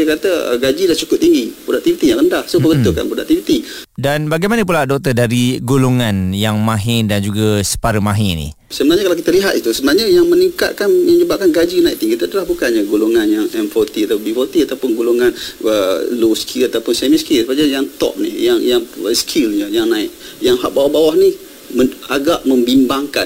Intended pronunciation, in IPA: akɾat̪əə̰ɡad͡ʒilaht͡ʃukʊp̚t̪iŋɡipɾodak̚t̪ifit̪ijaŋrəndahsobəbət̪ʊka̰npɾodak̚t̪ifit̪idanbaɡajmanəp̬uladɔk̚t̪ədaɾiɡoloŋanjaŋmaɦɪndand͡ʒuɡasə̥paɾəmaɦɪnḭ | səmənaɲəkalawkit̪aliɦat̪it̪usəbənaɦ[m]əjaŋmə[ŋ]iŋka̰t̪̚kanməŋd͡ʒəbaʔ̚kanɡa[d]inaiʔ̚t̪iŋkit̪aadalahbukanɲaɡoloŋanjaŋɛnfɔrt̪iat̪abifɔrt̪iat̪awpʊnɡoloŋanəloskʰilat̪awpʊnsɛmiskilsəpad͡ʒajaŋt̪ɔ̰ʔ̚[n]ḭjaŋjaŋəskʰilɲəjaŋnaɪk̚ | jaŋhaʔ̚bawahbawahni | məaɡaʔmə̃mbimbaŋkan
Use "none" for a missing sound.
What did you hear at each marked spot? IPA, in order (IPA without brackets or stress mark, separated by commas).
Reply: ɲ, n, d͡ʒ, n